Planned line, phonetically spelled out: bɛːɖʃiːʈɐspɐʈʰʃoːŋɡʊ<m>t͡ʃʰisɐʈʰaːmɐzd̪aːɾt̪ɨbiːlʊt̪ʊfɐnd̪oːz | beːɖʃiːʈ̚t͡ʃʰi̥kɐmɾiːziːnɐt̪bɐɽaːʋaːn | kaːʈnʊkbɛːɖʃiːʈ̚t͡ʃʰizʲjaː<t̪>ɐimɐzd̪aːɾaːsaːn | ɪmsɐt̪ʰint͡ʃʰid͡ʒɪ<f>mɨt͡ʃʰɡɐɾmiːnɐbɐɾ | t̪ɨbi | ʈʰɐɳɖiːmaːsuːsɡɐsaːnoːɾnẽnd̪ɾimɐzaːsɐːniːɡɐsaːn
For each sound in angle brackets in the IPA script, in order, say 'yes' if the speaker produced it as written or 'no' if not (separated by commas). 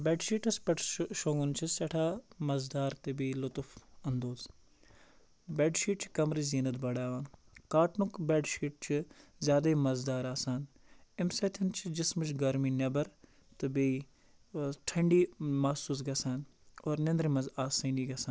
no, no, no